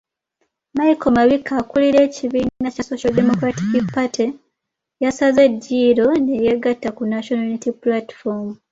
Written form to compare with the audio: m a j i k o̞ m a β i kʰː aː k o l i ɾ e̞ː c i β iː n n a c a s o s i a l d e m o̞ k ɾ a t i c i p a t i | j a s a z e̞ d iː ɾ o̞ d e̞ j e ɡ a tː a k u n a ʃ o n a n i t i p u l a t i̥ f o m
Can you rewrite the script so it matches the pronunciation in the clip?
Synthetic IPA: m a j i k o̞ m a β i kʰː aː k u l i ɾ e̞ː c i β iː n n a c a s o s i a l d e m o̞ k ɾ a t i k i p a t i | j a s a z e̞ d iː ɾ o̞ n e̞ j e ɡ a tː a k u n a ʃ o n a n i t i p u l a t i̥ f o m

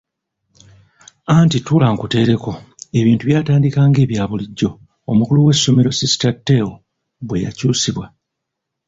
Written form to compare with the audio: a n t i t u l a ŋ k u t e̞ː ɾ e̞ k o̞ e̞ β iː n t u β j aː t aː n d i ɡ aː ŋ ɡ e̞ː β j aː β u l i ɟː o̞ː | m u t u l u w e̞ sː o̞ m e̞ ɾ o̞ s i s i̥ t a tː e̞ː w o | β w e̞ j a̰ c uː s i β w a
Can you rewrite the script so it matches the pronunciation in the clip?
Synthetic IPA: a n t i t u l a ŋ k u t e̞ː ɾ e̞ k o̞ e̞ β iː n t u β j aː t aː n d i k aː ŋ ɡ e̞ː β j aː β u l i ɟː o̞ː | m u k u l u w e̞ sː o̞ m e̞ ɾ o̞ s i s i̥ t a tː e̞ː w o | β w e̞ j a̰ c uː s i β w a

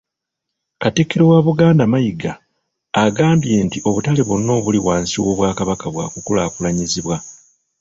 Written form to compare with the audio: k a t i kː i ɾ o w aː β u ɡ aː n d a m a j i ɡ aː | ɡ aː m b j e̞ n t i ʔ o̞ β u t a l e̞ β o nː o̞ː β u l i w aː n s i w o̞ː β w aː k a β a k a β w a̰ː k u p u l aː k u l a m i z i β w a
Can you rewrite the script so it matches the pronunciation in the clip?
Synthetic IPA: k a t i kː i ɾ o w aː β u ɡ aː n d a m a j i ɡ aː | ɡ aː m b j e̞ n t i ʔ o̞ β u t a l e̞ β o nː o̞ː β u l i w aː n s i w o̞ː β w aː k a β a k a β w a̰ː k u k u l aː k u l a ɲ i z i β w a

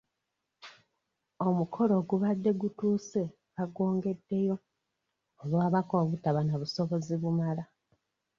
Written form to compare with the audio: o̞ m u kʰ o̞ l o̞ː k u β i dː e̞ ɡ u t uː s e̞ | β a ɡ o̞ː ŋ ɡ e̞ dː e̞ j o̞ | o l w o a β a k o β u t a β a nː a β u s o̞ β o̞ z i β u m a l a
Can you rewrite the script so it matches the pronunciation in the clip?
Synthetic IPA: o̞ m u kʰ o̞ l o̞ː ɡ u β a dː e̞ ɡ u t uː s e̞ | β a ɡ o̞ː ŋ ɡ e̞ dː e̞ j o̞ | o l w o a β a k o β u t a β a n a β u s o̞ β o̞ z i β u m a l a

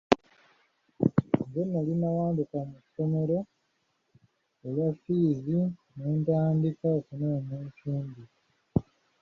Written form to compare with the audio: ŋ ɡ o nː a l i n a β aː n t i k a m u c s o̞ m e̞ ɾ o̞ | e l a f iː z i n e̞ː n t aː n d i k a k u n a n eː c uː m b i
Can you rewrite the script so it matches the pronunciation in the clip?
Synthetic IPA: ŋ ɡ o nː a l i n a w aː n d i k a m u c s o̞ m e̞ ɾ o̞ | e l a f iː z i n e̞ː n t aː n d i k a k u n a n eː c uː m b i

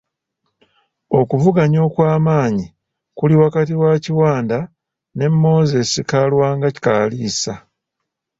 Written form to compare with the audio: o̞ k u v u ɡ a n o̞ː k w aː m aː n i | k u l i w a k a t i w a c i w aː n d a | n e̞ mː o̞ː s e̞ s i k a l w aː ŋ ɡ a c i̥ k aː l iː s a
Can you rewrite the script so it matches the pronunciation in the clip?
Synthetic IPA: o̞ k u v u ɡ a ɲ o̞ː k w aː m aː ɲ i | k u l i w a k a t i w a c i w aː n d a | n e̞ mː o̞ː z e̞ s i k a l w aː ŋ ɡ a c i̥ k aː l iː s a

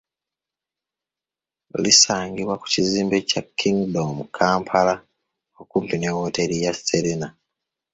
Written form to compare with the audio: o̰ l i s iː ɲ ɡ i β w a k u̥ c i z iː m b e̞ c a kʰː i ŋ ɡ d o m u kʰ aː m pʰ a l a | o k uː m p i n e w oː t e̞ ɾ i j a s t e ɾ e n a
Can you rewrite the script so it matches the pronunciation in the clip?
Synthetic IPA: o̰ l i s aː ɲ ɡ i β w a k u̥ c i z iː m b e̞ c a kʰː i ŋ ɡ d o m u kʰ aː m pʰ a l a | o k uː m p i n e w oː t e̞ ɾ i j a s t e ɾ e n a

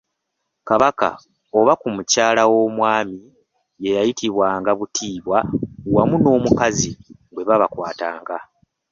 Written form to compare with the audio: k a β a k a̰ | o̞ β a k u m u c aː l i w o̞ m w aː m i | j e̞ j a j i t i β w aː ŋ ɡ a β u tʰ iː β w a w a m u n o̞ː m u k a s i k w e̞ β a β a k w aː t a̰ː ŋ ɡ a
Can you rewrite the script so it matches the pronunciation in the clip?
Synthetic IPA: k a β a k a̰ | o̞ β a k u m u c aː l a w o̞ m w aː m i | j e̞ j a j i t i β w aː ŋ ɡ a β u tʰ iː β w a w a m u n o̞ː m u k a z i ɡ w e̞ β a β a k w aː t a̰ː ŋ ɡ a

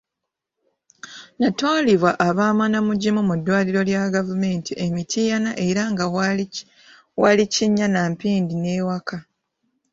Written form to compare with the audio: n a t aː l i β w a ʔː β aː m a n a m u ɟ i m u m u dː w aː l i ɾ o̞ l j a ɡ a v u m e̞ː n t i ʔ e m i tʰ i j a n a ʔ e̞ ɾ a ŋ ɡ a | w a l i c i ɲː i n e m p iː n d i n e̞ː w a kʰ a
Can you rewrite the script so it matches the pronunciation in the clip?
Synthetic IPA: n a t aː l i β w a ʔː β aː m a n a m u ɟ i m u m u dː w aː l i ɾ o̞ l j a ɡ a v u m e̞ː n t i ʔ e m i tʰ i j a n a ʔ e̞ ɾ a ŋ ɡ a | w a l i c i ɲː a n a m p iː n d i n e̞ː w a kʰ a

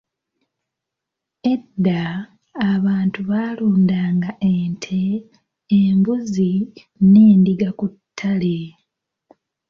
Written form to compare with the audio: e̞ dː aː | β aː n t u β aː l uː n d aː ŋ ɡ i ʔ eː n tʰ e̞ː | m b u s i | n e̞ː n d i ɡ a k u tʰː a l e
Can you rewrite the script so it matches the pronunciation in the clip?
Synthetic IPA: e̞ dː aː | β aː n t u β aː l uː n d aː ŋ ɡ a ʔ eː n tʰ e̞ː | m b u z i | n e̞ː n d i ɡ a k u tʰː a l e

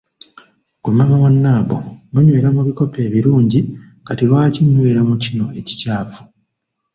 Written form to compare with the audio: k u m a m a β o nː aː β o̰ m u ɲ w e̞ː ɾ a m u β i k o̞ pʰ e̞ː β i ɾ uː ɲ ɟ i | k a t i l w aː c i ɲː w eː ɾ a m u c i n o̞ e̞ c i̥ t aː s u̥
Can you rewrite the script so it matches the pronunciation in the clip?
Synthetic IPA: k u m a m a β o nː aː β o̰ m u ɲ w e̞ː ɾ a m u β i k o̞ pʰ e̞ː β i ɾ uː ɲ ɟ i | k a t i l w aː c i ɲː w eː ɾ a m u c i n o̞ e̞ c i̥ c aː f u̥

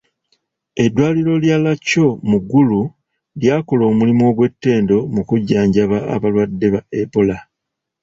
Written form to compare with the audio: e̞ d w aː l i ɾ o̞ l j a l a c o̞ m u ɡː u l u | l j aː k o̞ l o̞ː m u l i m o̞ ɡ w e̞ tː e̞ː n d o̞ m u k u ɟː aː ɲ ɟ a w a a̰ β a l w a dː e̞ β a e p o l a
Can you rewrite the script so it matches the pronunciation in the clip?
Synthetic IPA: e̞ d w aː l i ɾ o̞ l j a l a c o̞ m u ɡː u l u | l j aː k o̞ l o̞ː m u l i m o̞ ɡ w e̞ tː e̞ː n d o̞ m u k u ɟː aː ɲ ɟ a β a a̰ β a l w a dː e̞ β a e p o l a

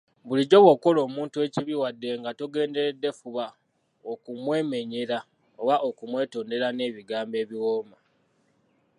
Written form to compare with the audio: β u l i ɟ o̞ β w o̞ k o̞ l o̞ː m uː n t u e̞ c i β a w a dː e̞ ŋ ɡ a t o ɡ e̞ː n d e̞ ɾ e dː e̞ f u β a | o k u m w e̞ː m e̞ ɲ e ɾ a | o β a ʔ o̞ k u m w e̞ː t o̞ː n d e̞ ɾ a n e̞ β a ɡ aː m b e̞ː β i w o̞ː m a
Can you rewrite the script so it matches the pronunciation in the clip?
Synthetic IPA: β u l i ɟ o̞ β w o̞ k o̞ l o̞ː m uː n t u e̞ c i β i w a dː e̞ ŋ ɡ a t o ɡ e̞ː n d e̞ ɾ e dː e̞ f u β a | o k u m w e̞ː m e̞ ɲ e ɾ a | o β a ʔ o̞ k u m w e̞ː t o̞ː n d e̞ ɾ a n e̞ β i ɡ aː m b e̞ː β i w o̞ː m a

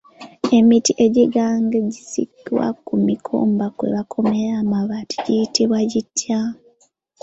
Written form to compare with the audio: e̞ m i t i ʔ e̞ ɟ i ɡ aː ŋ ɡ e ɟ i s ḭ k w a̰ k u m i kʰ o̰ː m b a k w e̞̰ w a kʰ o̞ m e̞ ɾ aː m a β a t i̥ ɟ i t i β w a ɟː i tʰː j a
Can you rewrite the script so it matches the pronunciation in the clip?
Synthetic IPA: e̞ m i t i ʔ e̞ ɟ i ɡ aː ŋ ɡ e ɟ i s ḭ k w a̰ k u m i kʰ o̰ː m b a k w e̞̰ β a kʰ o̞ m e̞ ɾ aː m a β a t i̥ ɟ i t i β w a ɟ i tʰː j a

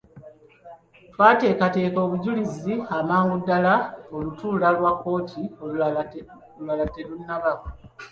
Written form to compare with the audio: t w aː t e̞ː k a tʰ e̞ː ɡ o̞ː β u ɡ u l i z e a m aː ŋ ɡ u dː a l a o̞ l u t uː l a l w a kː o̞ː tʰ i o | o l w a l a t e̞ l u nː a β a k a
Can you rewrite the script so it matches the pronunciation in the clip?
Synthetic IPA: t w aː t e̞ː k a t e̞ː k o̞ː β u ɟ u l i z i a m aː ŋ ɡ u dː a l a o̞ l u t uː l a l w a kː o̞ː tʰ i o | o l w a l a t e̞ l u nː a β a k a

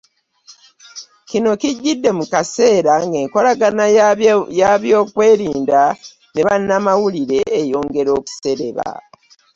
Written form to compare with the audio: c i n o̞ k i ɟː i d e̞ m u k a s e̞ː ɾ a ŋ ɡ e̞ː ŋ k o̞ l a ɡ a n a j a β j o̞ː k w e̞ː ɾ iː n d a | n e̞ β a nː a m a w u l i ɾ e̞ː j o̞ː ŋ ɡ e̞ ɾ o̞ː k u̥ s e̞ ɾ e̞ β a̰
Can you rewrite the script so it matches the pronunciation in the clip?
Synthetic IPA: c i n o̞ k i ɟː i dː e̞ m u k a s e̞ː ɾ a ŋ ɡ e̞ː ŋ k o̞ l a ɡ a n a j a β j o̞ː k w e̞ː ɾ iː n d a | n e̞ β a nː a m a w u l i ɾ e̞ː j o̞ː ŋ ɡ e̞ ɾ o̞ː k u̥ s e̞ ɾ e̞ β a̰

